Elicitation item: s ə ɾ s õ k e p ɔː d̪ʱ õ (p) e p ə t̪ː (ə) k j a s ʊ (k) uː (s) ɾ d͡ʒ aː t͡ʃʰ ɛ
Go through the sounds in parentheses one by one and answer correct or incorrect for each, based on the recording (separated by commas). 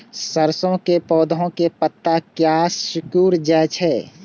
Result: incorrect, incorrect, correct, incorrect